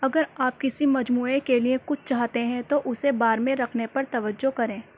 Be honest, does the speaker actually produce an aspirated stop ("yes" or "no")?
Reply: yes